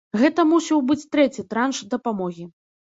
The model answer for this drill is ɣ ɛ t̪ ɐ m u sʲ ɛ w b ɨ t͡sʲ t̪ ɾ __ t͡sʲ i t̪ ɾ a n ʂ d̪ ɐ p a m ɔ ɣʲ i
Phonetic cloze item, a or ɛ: ɛ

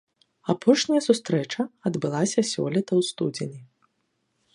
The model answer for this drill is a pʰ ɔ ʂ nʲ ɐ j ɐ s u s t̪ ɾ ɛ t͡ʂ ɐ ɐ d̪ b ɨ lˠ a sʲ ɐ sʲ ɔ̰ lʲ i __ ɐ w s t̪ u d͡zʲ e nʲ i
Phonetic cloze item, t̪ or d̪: t̪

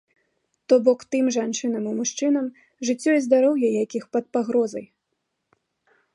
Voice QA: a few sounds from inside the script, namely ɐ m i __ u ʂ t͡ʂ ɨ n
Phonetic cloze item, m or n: m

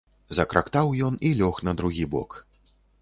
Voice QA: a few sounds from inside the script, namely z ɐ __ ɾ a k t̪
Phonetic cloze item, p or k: k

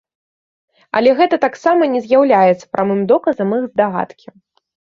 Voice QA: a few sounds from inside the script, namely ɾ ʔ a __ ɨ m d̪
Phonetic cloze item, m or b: m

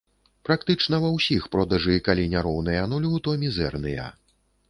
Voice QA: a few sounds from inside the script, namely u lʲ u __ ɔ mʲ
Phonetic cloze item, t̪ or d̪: t̪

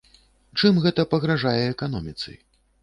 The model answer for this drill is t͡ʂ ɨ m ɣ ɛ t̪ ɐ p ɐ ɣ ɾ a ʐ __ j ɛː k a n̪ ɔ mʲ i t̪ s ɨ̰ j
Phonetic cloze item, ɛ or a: a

